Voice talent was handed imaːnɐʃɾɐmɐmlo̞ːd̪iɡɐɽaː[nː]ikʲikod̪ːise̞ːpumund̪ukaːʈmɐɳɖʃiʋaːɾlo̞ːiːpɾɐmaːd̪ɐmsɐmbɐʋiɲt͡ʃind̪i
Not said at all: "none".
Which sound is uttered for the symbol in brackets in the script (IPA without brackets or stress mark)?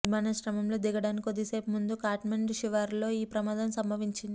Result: n